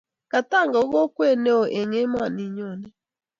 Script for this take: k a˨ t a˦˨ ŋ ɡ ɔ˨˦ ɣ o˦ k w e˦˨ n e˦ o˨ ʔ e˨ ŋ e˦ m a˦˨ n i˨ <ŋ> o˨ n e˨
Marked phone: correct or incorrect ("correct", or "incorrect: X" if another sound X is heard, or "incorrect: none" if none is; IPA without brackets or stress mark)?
incorrect: ɲ